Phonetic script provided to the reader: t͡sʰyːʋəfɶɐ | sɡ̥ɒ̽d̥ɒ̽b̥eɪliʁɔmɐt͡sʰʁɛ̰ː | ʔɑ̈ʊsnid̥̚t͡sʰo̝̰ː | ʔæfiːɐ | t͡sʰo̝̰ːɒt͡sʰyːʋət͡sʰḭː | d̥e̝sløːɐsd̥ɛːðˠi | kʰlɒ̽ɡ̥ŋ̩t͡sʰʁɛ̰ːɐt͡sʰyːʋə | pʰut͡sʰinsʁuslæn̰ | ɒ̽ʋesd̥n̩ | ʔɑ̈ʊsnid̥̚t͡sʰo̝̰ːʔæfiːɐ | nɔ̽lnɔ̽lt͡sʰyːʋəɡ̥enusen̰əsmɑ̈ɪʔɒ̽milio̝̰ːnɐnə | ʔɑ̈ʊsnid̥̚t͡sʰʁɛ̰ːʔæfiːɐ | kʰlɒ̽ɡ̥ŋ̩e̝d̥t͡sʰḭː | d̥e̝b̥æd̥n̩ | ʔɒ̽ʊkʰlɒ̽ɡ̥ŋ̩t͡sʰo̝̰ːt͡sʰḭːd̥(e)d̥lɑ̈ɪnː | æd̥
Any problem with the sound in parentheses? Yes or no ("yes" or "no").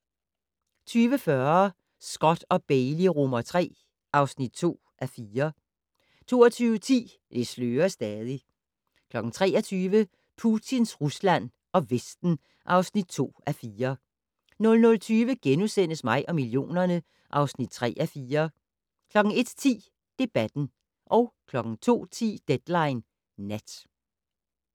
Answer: no